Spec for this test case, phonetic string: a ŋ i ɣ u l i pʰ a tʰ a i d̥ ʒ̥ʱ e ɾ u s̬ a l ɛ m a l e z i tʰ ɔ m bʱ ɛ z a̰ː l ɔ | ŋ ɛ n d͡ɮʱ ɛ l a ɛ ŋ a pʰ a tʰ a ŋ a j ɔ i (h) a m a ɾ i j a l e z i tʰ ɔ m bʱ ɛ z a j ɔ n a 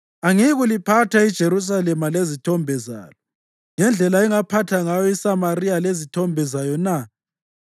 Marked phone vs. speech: incorrect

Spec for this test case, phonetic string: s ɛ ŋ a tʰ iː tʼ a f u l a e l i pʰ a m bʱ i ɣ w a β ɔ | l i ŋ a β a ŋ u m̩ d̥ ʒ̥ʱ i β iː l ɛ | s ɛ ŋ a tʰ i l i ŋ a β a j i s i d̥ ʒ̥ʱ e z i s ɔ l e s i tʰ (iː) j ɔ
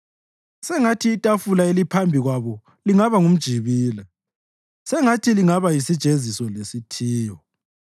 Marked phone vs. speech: correct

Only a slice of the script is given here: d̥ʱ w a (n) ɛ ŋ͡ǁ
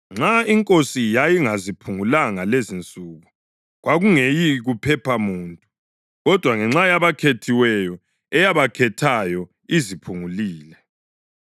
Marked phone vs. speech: incorrect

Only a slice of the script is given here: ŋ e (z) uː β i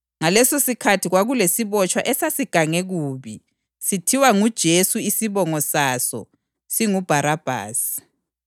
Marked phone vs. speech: incorrect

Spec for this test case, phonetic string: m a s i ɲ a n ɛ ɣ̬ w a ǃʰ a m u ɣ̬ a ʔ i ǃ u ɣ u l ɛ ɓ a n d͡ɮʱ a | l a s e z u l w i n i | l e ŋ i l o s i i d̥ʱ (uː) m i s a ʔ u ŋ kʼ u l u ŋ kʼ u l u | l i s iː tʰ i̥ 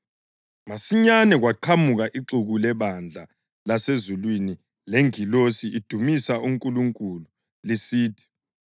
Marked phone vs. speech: incorrect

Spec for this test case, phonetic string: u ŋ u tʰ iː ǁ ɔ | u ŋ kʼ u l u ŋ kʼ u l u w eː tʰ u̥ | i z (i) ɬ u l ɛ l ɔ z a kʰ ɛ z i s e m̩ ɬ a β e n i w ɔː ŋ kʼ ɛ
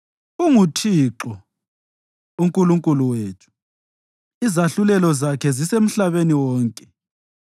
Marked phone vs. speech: incorrect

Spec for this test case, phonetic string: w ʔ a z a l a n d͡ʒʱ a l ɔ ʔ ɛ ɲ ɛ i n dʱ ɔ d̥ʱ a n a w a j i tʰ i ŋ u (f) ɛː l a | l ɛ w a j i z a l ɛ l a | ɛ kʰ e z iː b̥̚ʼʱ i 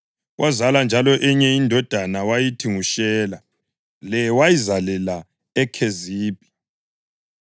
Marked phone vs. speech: incorrect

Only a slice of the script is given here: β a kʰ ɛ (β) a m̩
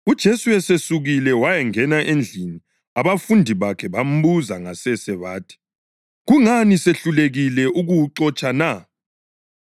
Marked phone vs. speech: correct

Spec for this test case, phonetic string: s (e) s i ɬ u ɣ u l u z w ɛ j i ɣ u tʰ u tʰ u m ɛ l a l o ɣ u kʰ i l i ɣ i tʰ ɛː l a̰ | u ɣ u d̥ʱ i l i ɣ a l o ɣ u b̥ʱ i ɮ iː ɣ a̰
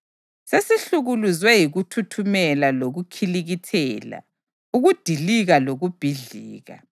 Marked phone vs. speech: correct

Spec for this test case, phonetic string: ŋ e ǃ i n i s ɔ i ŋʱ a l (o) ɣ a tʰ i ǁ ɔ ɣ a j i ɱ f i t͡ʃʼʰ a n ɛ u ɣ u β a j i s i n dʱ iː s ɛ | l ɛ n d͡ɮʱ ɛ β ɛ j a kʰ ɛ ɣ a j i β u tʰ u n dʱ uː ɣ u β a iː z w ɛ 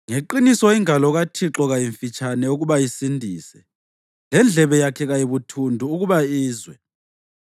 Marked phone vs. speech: incorrect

